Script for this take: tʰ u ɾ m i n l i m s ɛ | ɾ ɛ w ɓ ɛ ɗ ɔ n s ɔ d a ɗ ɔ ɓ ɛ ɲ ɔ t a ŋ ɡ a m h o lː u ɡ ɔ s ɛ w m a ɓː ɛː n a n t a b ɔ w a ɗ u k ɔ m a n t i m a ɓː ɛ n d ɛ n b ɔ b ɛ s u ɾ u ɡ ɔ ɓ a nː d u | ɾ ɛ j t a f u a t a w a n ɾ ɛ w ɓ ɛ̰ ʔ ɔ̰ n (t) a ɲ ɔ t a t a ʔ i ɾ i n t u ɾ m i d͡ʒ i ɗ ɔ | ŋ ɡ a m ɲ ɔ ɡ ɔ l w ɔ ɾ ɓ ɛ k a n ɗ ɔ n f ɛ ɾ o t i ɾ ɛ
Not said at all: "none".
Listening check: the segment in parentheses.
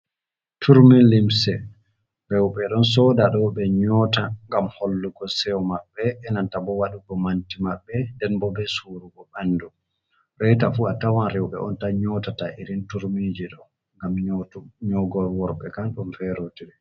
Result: t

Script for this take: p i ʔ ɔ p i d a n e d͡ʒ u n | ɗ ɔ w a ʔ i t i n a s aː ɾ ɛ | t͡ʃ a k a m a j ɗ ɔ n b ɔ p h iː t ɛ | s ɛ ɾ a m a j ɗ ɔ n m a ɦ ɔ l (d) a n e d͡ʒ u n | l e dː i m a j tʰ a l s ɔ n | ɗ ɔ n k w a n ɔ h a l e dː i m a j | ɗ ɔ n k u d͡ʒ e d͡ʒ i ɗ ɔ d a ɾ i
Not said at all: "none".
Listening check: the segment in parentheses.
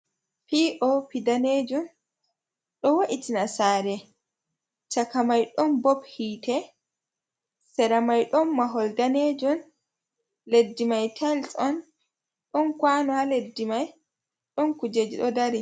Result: d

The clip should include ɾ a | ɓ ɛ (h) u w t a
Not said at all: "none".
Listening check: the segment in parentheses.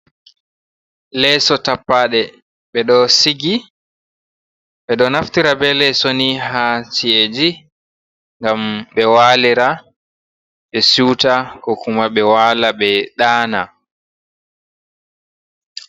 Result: s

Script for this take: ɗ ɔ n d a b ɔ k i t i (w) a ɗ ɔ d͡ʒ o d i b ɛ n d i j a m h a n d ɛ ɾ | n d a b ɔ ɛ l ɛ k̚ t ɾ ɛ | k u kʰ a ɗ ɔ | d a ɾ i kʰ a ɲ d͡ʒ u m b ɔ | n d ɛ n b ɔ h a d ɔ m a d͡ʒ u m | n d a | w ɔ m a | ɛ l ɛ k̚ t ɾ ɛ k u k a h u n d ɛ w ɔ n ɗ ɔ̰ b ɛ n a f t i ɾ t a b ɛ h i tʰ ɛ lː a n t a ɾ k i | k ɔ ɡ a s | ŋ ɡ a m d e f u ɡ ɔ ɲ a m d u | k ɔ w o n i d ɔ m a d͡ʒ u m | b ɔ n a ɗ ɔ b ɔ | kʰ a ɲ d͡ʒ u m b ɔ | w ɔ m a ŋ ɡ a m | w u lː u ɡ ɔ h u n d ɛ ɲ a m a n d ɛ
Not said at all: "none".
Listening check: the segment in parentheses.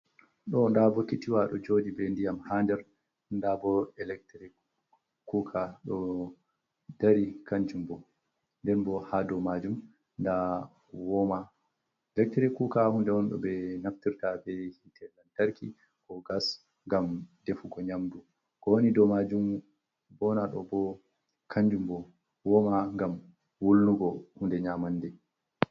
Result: w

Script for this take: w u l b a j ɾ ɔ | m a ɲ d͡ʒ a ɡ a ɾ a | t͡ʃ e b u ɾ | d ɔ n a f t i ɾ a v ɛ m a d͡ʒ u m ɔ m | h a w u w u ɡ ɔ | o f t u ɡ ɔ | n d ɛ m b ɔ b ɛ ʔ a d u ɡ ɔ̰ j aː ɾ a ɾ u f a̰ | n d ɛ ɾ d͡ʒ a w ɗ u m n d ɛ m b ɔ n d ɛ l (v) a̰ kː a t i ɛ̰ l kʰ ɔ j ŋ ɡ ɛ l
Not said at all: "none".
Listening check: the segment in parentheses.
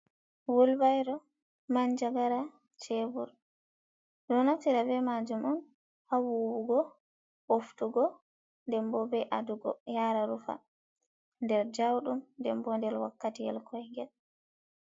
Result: w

